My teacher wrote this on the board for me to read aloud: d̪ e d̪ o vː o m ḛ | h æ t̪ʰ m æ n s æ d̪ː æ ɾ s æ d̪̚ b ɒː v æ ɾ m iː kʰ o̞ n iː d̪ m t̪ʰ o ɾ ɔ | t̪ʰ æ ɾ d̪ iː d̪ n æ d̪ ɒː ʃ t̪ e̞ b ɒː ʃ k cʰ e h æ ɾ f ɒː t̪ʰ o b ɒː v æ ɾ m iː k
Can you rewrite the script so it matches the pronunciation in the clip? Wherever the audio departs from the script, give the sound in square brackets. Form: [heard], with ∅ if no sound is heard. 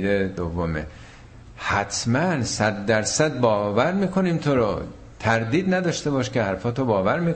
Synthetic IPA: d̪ e d̪ o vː o m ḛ | h æ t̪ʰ m æ n s æ d̪ː æ ɾ s æ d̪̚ b ɒː v æ ɾ m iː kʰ o̞ n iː [∅] m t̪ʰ o ɾ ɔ | t̪ʰ æ ɾ d̪ iː d̪ n æ d̪ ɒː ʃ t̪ e̞ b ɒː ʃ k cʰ e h æ ɾ f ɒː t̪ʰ o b ɒː v æ ɾ m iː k